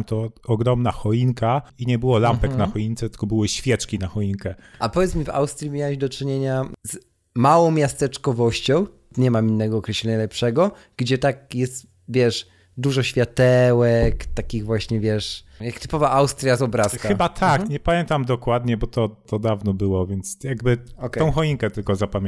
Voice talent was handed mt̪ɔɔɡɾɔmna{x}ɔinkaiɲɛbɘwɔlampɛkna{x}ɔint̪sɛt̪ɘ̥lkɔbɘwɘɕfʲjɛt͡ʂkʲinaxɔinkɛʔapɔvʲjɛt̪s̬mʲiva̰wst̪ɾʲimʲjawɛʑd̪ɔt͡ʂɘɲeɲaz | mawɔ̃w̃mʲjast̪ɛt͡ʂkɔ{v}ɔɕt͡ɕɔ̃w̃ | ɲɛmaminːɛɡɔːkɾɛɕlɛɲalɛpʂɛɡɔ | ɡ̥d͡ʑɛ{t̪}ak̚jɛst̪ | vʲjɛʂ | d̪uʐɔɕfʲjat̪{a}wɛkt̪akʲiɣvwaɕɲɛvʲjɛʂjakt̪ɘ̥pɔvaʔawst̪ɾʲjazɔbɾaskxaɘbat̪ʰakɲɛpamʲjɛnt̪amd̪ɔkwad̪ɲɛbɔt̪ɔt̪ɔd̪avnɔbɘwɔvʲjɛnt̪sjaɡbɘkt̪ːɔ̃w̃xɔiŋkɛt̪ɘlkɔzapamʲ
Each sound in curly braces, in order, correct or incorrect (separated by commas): correct, correct, correct, correct, incorrect